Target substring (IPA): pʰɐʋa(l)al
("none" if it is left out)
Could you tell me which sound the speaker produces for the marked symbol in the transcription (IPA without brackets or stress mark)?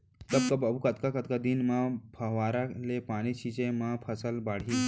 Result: ɾ